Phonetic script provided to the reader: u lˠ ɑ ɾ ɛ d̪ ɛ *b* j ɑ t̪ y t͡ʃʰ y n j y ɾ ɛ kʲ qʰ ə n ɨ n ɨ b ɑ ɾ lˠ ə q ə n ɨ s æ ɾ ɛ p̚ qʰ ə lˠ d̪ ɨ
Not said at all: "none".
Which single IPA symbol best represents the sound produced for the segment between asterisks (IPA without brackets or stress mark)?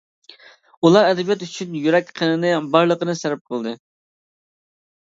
b